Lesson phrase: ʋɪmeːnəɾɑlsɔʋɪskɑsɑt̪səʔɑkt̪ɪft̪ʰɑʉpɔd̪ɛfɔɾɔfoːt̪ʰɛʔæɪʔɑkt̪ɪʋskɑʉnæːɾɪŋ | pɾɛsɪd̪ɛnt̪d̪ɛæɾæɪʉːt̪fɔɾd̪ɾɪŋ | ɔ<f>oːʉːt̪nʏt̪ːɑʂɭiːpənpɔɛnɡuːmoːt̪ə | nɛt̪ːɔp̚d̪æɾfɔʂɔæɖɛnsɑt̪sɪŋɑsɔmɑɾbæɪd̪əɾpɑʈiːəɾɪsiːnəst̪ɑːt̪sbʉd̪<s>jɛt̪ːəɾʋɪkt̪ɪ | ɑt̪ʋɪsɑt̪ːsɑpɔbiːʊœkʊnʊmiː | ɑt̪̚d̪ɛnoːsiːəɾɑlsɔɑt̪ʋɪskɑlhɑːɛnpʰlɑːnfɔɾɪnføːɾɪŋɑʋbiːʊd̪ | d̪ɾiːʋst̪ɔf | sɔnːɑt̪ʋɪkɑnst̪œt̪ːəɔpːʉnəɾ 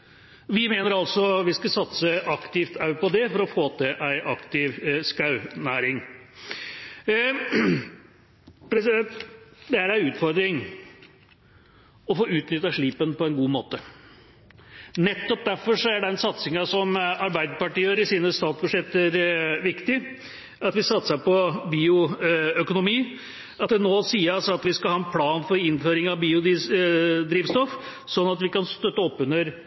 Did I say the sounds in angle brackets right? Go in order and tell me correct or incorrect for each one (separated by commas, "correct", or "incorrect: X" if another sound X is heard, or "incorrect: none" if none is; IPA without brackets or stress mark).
correct, incorrect: ʂ